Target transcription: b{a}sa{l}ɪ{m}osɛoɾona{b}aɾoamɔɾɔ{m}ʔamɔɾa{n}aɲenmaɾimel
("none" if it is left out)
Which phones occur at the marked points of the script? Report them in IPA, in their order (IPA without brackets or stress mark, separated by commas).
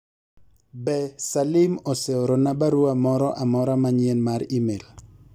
ɛ, l, m, b, none, m